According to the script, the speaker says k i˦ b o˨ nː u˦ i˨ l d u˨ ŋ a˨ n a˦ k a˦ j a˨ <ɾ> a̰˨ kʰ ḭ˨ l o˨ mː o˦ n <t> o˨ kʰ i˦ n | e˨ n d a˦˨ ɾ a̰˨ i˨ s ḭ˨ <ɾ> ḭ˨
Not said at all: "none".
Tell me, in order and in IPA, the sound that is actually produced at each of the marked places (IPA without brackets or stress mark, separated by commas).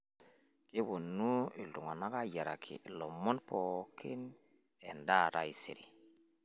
ɾ, p, ɾ